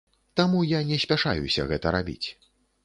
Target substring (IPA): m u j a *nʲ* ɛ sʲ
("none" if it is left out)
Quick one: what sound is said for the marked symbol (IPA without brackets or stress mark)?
nʲ